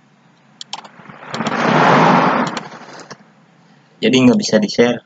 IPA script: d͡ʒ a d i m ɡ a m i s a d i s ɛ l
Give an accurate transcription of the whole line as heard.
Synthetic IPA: d͡ʒ a d i ŋ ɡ a b i s a d i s ɛ r